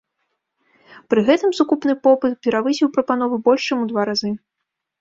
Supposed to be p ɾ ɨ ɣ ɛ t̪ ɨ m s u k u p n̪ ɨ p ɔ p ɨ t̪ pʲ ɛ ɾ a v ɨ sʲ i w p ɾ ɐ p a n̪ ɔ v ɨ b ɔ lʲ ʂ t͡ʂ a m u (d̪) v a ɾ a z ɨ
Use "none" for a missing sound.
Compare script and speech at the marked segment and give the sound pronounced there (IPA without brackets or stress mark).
d̪